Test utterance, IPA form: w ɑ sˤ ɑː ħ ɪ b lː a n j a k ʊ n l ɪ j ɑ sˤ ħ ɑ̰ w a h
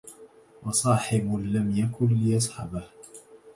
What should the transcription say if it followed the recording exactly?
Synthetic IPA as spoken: w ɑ sˤ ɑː ħ ɪ b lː a m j a k ʊ n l ɪ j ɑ sˤ ħ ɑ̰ b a h